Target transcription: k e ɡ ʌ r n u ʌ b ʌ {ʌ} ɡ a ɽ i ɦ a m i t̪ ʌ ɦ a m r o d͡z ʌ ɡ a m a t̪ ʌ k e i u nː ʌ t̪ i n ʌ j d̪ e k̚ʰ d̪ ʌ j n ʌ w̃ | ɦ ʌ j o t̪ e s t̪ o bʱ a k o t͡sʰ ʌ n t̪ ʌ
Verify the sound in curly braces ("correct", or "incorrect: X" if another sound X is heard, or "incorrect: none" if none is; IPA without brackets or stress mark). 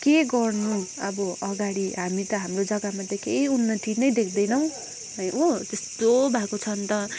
correct